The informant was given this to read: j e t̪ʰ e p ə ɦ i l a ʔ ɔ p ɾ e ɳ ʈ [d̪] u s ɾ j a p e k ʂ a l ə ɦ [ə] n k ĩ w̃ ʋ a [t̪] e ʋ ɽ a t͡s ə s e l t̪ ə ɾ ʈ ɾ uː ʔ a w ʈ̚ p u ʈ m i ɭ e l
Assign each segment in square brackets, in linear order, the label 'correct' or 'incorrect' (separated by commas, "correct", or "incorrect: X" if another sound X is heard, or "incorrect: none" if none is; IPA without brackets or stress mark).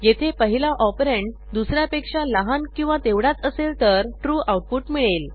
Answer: correct, incorrect: a, correct